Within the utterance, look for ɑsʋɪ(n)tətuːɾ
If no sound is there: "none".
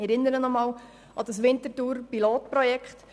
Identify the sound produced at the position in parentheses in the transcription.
n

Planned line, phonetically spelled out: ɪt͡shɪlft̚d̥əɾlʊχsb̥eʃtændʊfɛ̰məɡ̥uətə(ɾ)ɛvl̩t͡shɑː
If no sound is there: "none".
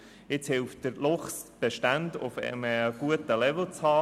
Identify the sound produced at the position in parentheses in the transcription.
l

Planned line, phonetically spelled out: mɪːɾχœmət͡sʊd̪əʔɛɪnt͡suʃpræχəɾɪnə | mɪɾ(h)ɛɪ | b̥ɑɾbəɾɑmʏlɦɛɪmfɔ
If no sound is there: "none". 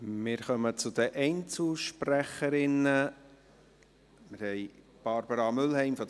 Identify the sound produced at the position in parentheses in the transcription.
h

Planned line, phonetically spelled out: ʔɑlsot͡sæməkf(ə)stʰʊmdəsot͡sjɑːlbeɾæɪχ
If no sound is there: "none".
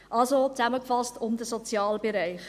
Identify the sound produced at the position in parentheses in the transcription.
ɑ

